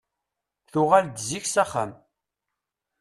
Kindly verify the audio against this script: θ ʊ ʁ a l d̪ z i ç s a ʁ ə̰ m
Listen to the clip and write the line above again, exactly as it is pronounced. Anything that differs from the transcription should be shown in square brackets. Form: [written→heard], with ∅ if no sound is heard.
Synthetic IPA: θ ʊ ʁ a l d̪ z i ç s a [ʁ→χ] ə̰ m